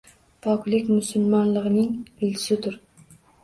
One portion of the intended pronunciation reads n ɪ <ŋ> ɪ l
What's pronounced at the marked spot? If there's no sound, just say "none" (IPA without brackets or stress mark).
ŋ